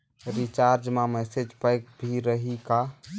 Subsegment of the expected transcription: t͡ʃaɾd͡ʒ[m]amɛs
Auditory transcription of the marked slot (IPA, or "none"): m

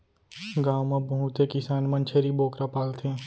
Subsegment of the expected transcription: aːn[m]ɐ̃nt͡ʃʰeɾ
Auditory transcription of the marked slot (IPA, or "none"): m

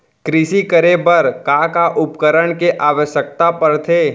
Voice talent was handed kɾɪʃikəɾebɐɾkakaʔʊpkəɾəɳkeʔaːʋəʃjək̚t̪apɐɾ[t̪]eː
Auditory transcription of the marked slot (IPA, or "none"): t̪ʰ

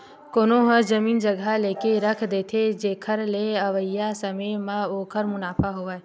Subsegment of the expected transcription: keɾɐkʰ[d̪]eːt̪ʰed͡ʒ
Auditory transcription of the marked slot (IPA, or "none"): d̪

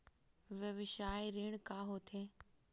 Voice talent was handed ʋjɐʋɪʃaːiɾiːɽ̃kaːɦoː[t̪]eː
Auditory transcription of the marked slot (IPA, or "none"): t̪ʰ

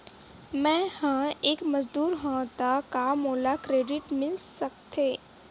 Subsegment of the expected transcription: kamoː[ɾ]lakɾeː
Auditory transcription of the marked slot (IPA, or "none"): none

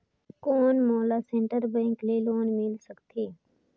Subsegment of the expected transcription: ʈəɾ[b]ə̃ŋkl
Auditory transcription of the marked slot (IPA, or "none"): b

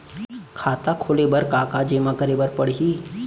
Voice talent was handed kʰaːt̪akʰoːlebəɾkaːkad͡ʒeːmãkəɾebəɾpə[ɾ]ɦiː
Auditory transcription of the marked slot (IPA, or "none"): ɽ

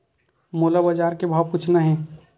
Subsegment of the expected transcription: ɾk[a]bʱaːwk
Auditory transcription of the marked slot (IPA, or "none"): e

